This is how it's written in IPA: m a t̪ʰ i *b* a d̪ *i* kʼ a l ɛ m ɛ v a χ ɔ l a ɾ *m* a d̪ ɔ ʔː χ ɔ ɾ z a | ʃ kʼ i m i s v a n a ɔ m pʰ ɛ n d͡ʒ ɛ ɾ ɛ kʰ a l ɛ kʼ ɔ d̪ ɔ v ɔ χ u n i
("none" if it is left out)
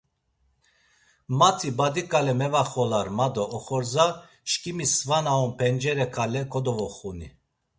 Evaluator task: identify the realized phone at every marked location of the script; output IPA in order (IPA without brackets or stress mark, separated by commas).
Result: b, i, m